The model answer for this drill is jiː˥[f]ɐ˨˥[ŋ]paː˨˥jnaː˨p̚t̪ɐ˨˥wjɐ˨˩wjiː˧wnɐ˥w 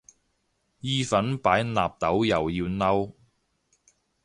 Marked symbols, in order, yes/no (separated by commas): yes, no